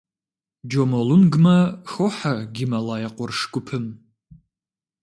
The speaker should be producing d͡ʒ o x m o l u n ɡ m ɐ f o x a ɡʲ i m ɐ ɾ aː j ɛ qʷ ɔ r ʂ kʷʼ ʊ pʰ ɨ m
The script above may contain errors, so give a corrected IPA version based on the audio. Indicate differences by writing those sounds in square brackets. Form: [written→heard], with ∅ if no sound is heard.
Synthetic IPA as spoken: d͡ʒ o [x→∅] m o l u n ɡ m ɐ [f→x] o [x→ħ] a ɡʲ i m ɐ [ɾ→l] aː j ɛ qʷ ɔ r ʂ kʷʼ ʊ pʰ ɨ m